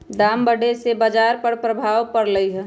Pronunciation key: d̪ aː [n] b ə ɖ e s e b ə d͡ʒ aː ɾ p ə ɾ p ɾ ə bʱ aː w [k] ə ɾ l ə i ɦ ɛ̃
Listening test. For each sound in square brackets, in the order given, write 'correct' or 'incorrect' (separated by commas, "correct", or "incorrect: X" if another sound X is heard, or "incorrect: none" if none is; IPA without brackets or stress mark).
incorrect: m, incorrect: p